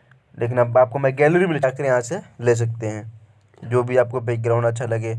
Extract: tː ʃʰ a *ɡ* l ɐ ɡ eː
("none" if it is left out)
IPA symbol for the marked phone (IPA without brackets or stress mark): none